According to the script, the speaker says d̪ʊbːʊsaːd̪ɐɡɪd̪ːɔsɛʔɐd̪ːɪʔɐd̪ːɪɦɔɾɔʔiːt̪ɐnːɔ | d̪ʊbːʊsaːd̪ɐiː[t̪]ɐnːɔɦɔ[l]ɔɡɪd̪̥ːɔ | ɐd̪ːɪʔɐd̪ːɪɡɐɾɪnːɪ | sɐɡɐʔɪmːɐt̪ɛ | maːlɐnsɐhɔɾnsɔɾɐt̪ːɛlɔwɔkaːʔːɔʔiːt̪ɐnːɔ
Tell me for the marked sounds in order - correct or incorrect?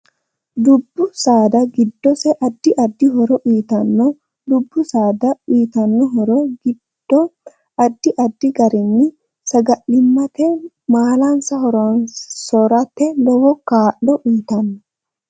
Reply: correct, incorrect: ɾ

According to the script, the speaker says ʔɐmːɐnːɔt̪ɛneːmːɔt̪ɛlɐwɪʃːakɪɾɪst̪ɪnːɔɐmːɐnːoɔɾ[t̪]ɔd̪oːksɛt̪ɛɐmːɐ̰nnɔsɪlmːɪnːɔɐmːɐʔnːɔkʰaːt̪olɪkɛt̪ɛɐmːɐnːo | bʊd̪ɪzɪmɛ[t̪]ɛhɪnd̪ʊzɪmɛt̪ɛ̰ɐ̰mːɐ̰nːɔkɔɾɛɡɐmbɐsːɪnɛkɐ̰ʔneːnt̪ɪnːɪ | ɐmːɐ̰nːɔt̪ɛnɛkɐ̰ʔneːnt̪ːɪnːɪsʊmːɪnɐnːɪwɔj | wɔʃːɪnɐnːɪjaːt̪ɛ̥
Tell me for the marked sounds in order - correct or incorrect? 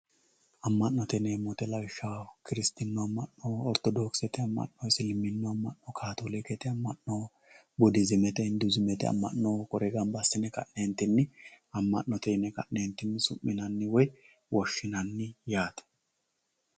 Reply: correct, correct

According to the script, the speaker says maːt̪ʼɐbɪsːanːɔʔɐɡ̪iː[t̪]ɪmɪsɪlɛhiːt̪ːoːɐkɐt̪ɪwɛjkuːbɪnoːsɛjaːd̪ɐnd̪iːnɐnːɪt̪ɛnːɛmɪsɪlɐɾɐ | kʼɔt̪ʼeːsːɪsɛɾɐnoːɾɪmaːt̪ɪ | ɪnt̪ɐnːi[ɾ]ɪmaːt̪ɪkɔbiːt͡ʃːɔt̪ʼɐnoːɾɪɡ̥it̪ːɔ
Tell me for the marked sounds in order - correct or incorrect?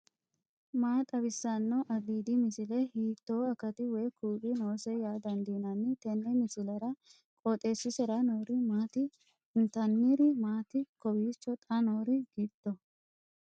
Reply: incorrect: d̪, correct

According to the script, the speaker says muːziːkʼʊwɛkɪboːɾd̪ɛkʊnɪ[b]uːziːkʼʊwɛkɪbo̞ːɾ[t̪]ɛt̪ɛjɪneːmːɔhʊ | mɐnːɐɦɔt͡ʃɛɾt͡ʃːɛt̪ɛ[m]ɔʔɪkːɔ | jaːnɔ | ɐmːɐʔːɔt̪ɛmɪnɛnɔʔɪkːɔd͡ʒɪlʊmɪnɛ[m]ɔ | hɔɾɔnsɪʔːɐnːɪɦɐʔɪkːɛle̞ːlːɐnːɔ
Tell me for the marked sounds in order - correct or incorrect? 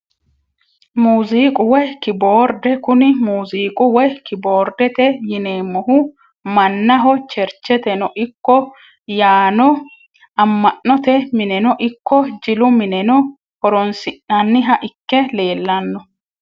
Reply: incorrect: m, incorrect: d̪, incorrect: n, incorrect: n

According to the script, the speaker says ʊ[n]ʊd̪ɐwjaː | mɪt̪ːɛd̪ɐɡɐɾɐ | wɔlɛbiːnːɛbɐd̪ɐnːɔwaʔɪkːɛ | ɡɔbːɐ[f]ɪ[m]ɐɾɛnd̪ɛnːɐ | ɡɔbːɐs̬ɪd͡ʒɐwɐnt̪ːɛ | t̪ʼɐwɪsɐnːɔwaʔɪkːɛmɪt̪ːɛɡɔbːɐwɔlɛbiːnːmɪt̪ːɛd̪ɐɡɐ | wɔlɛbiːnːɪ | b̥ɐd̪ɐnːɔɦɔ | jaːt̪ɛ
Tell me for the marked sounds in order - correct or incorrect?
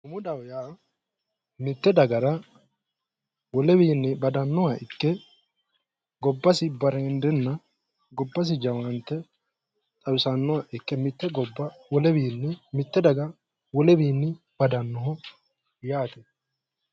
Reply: incorrect: m, incorrect: s, incorrect: b

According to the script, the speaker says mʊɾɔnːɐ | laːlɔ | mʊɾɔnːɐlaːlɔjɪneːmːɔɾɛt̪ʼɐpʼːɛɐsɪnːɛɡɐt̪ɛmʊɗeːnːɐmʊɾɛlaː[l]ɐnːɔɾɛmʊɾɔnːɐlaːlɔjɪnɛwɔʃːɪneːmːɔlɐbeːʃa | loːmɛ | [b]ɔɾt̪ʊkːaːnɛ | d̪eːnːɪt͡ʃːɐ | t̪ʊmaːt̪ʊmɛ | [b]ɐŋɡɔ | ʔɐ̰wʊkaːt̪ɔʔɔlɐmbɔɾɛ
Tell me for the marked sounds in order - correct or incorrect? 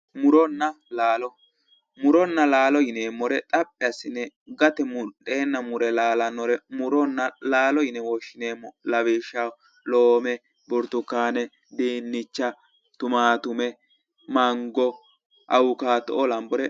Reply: correct, correct, incorrect: m

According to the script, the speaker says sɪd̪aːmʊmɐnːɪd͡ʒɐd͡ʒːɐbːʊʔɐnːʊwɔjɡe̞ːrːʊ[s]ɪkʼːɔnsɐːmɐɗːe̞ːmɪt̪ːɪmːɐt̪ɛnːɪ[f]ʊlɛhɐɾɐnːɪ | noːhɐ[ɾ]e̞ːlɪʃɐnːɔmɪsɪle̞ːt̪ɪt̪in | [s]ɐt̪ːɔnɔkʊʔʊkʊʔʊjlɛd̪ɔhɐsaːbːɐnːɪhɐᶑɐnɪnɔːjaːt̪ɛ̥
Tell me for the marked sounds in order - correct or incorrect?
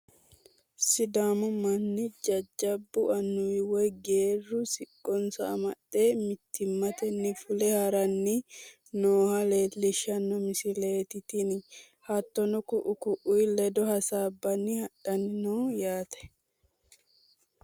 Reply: correct, correct, incorrect: l, incorrect: h

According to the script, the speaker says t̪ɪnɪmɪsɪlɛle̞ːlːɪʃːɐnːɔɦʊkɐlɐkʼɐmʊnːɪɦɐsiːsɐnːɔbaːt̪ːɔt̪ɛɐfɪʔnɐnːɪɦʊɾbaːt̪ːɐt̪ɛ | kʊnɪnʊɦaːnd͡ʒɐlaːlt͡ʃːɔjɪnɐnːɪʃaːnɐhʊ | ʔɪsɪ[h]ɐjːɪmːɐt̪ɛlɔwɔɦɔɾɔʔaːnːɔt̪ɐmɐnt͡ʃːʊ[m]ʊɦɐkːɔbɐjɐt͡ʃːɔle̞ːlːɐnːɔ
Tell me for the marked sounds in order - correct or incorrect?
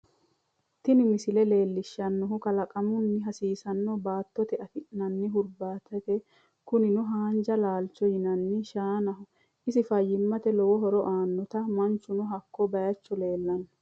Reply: incorrect: f, incorrect: n

